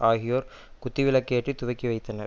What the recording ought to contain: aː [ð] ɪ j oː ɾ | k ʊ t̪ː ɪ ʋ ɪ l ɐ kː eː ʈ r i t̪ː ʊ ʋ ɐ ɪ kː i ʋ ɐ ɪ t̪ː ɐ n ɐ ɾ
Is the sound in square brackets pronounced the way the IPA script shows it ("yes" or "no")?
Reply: no